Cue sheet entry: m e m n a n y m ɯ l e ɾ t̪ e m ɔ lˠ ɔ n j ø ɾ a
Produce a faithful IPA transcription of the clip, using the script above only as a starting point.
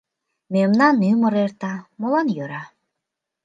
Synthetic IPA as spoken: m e m n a n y m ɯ ɾ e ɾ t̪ a m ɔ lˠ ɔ n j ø ɾ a